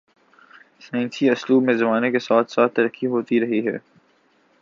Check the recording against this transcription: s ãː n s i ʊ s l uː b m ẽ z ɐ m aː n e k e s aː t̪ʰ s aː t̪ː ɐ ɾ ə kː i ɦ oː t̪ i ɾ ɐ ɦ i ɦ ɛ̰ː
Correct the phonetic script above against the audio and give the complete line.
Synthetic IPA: s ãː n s i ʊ s l uː b m ẽ z ɐ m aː n e k e s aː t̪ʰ s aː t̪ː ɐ ɾ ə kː i ɦ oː t̪ i ɾ ɐ ɦ i ɦ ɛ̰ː

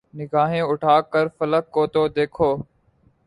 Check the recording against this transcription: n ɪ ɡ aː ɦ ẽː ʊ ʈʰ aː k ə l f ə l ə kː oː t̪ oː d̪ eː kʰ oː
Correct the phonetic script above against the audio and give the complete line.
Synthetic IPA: n ɪ ɡ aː ɦ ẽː ʊ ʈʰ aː k ə ɾ f ə l ə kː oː t̪ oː d̪ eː kʰ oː

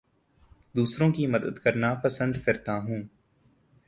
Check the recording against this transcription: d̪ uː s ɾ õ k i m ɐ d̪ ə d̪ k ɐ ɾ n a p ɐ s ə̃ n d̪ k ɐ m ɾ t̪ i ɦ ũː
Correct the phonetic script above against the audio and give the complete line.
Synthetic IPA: d̪ uː s ɾ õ k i m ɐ d̪ ə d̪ k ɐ ɾ n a p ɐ s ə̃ n d̪ k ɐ ɾ t̪ a ɦ ũː

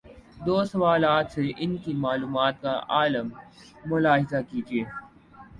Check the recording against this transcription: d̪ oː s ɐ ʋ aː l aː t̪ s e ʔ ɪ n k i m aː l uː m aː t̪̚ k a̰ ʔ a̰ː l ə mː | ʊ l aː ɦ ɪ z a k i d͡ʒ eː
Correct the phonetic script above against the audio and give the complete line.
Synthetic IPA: d̪ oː s ɐ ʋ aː l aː t̪ s e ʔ ɪ n k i m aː l uː m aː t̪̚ k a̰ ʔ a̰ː l ə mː | ʊ l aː ɦ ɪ z a k i d͡ʒ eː

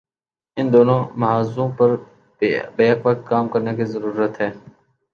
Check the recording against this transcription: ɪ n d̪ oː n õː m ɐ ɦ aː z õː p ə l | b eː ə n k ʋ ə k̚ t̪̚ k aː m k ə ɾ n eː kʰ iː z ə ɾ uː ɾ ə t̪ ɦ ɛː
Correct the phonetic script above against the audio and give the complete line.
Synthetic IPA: ɪ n d̪ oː n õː m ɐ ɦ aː z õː p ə ɾ | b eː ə k ʋ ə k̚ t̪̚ k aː m k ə ɾ n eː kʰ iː z ə ɾ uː ɾ ə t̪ ɦ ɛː

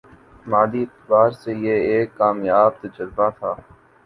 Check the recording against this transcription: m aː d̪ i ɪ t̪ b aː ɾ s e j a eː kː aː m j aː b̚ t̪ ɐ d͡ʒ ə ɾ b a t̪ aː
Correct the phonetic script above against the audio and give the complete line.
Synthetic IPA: m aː d̪ i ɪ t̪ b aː ɾ s e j e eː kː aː m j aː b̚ t̪ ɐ d͡ʒ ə ɾ b a t̪ʰ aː

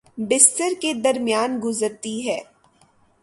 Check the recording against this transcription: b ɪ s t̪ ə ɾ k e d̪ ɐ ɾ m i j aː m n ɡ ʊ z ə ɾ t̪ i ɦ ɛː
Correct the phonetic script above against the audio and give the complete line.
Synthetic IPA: b ɪ s t̪ ə ɾ k e d̪ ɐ ɾ m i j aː n ɡ ʊ z ə ɾ t̪ i ɦ ɛː

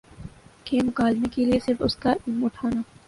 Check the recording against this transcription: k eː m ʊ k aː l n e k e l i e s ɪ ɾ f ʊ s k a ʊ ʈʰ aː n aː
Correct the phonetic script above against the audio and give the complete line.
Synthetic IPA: k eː m ʊ k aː l m e k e l i e s ɪ ɾ f ʊ s k a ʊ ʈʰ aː n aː

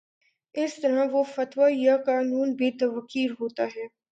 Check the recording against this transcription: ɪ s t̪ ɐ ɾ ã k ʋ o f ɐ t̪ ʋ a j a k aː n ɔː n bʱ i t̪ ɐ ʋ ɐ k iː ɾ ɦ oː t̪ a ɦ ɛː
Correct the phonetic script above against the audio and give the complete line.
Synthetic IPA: ɪ s t̪ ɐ ɾ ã ʋ o f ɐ t̪ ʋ a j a k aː n uː n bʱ i t̪ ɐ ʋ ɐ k iː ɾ ɦ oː t̪ a ɦ ɛː

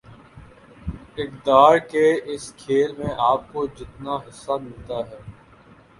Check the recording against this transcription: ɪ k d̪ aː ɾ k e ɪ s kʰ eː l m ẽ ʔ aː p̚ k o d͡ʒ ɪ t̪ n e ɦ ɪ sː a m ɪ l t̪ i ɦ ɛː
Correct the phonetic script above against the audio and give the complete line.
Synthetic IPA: ɪ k d̪ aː ɾ k e ɪ s kʰ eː l m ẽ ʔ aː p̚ k o d͡ʒ ɪ t̪ n a ɦ ɪ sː a m ɪ l t̪ a ɦ ɛː

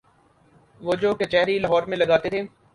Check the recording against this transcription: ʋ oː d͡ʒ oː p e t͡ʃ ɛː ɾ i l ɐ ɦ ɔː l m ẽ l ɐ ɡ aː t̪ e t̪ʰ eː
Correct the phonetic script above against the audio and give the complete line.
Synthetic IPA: ʋ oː d͡ʒ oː k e t͡ʃ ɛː ɾ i l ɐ ɦ ɔː ɾ m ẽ l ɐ ɡ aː t̪ e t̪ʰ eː

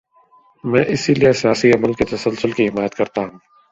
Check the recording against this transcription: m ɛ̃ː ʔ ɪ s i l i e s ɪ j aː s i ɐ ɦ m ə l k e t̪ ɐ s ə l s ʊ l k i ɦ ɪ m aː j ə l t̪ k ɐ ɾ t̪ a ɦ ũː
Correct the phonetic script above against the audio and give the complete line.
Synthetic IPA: m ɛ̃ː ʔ ɪ s i l i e s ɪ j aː s i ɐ m ə l k e t̪ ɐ s ə l s ʊ l k i ɦ ɪ m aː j ə t̪ k ɐ ɾ t̪ a ɦ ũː

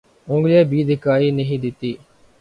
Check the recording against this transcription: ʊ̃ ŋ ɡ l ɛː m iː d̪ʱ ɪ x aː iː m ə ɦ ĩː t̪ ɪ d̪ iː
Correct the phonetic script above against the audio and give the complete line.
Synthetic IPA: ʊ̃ ŋ ɡ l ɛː b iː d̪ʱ ɪ k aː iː n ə ɦ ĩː d̪ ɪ t̪ iː

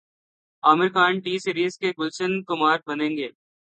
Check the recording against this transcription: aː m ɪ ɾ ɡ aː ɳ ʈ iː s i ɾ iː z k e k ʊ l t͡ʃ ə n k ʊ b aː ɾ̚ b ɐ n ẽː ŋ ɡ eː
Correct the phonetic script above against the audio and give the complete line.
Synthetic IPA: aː m ɪ ɾ k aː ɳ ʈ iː s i ɾ iː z k e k ʊ l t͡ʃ ə n k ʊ m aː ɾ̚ b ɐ n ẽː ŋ ɡ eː

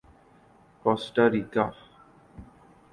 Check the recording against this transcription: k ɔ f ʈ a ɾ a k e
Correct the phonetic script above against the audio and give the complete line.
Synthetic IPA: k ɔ s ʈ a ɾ i k a

